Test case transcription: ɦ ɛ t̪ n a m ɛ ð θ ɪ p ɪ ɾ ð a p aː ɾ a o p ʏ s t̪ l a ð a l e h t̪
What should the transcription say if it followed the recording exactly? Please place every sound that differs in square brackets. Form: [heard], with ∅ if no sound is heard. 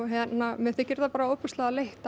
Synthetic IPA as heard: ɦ ɛ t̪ n a m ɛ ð θ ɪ [c] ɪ ɾ ð a p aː ɾ a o p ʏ s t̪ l a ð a l e h t̪